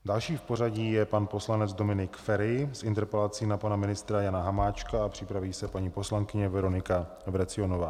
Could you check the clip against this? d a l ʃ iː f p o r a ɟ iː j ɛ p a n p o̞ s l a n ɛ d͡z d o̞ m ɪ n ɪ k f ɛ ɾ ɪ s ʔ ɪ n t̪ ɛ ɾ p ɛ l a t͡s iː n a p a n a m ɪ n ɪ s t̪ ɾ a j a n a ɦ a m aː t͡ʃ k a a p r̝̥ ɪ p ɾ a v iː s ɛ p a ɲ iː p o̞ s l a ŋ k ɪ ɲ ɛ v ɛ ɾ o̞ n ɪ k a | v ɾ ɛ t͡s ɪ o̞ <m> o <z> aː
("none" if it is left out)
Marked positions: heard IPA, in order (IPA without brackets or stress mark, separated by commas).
n, v